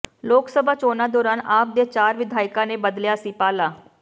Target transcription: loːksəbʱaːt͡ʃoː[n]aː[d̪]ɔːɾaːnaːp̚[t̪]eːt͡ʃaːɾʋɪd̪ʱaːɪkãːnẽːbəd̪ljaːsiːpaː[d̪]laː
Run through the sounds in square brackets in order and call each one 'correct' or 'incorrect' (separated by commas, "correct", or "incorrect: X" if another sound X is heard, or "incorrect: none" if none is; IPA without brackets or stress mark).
correct, correct, incorrect: d̪, incorrect: none